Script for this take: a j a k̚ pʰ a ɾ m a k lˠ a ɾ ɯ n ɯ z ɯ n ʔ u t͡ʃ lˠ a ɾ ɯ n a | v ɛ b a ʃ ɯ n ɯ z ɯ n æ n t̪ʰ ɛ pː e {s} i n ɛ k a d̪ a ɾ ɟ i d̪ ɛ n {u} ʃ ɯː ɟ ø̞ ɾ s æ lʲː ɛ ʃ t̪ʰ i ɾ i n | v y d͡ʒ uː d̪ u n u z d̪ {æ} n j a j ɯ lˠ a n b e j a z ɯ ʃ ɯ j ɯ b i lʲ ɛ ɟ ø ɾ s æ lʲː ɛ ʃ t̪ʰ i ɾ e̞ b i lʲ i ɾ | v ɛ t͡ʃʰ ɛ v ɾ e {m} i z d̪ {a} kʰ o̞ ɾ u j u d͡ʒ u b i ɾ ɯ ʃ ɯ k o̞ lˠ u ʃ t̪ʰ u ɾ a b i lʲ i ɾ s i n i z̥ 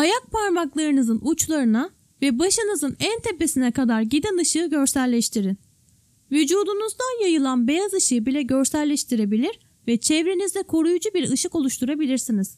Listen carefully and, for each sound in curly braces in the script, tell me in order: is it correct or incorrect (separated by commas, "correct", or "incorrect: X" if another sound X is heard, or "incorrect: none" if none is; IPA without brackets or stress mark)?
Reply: correct, incorrect: ɯ, incorrect: a, incorrect: n, incorrect: ɛ